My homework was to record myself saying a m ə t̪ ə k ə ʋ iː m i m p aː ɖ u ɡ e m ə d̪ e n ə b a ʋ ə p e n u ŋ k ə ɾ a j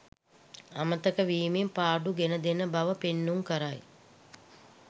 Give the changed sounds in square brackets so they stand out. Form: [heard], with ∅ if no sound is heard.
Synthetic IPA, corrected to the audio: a m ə t̪ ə k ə ʋ iː m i m p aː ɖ u ɡ e [n] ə d̪ e n ə b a ʋ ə p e [nː] u ŋ k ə ɾ a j